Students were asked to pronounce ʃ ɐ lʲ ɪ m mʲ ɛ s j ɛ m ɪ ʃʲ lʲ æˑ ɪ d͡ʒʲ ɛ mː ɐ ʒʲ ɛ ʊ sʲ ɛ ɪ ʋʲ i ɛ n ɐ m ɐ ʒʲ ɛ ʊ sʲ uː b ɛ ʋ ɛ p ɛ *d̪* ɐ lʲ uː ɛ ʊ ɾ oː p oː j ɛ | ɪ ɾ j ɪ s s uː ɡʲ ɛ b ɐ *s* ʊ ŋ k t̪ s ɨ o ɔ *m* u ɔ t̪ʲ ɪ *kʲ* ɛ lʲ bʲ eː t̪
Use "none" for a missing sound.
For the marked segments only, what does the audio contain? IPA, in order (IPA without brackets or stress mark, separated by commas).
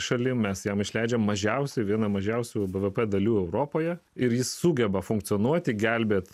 d̪, f, n, ɡʲ